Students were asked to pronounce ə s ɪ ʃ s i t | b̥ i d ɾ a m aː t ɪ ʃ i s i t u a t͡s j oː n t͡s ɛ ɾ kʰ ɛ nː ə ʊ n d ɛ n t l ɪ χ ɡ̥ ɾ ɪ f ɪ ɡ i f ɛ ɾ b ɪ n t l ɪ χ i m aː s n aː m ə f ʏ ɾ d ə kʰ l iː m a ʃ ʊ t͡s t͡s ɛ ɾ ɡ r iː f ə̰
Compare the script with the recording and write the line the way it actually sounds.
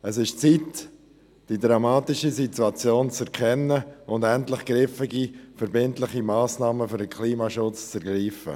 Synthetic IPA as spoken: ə s ɪ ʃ t͡s i t | d̥ i d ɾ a m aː t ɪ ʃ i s i t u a t͡s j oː n t͡s ɛ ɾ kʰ ɛ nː ə ʊ n d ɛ n t l ɪ χ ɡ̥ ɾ ɪ f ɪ ɡ i f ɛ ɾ b ɪ n t l ɪ χ i m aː s n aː m ə f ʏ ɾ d ə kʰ l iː m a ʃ ʊ t͡s t͡s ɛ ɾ ɡ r iː f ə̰